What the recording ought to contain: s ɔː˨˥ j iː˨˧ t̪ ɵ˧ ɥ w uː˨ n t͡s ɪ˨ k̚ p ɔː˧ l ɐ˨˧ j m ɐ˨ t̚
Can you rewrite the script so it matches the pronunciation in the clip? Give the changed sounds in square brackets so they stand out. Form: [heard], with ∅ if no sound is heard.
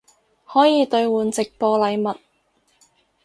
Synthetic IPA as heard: [h] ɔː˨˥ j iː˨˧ t̪ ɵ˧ ɥ w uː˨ n t͡s ɪ˨ k̚ p ɔː˧ l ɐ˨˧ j m ɐ˨ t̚